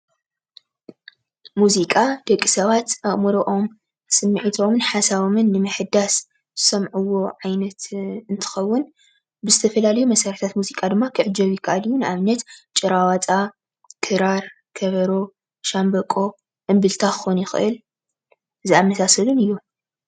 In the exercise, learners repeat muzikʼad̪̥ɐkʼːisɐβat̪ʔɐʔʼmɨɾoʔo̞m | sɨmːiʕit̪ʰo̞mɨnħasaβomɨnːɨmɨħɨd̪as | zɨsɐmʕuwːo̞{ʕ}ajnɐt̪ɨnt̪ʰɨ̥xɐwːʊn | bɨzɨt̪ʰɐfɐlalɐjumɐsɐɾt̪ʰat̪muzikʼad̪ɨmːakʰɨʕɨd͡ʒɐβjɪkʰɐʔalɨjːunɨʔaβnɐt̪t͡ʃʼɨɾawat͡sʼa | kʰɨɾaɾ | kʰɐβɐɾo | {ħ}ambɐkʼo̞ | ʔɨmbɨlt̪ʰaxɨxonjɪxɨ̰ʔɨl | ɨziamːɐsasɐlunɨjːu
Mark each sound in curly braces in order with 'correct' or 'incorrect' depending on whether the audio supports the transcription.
correct, incorrect: ʃ

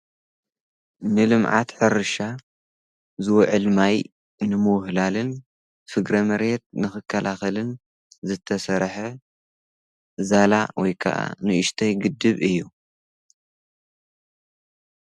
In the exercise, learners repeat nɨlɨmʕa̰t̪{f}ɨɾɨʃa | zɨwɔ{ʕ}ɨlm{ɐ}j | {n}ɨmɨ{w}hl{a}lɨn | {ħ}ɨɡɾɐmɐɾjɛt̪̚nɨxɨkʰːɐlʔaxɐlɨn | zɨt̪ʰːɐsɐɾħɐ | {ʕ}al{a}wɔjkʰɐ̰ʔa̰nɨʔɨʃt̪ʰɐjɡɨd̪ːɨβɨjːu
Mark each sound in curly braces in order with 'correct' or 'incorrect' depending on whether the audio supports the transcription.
incorrect: ħ, correct, incorrect: a, correct, correct, correct, incorrect: f, incorrect: z, correct

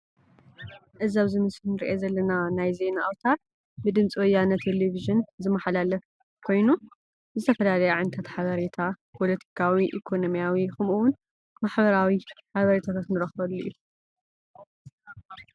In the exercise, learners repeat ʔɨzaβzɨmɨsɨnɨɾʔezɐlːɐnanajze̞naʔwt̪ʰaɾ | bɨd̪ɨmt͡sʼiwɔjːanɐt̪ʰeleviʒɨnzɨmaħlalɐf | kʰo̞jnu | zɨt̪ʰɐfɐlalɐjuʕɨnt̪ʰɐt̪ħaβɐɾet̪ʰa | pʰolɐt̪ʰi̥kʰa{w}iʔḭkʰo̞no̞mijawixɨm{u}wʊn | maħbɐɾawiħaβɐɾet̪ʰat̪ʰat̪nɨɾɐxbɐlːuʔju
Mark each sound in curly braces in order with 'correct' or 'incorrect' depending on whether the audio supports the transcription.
correct, correct

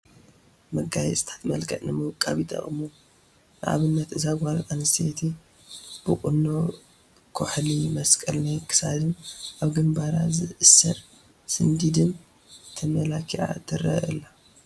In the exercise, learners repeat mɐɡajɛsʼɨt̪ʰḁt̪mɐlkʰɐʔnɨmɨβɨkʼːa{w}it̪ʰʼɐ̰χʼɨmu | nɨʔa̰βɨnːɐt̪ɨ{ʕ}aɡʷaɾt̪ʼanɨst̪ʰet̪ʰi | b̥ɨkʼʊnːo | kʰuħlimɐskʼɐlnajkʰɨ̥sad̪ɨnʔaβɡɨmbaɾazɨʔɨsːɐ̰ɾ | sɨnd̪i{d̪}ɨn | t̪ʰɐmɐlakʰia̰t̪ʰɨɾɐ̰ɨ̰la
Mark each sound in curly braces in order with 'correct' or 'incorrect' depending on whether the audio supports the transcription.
incorrect: β, incorrect: z, correct

